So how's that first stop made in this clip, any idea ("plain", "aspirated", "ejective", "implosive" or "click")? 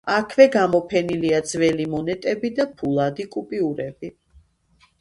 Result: aspirated